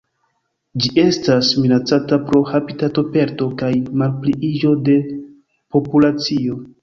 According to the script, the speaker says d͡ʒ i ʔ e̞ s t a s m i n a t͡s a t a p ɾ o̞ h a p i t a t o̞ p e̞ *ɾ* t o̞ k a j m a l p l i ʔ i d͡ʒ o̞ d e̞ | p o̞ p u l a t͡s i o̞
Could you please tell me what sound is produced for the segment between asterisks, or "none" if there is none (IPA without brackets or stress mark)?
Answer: ɾ